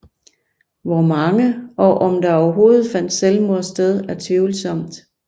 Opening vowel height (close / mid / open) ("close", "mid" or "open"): open